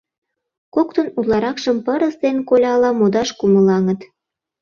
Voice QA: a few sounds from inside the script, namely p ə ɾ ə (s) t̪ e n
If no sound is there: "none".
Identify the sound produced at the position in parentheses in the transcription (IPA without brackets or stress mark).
s